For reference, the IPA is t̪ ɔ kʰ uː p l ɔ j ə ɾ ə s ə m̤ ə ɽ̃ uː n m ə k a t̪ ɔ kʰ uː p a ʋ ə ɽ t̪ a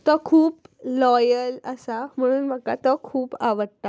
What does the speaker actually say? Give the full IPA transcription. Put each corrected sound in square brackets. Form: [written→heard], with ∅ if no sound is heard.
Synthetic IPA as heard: t̪ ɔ kʰ uː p l ɔ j ə [ɾ→l] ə s [ə→a] m̤ ə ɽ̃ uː n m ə k a t̪ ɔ kʰ uː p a ʋ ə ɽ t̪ a